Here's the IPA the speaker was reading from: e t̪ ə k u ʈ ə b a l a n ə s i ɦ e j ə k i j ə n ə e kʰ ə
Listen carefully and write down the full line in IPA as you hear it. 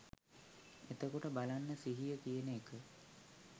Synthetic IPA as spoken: e t̪ ə k o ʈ ə b a l a nː ə s i ɦ i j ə k i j ə n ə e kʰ ə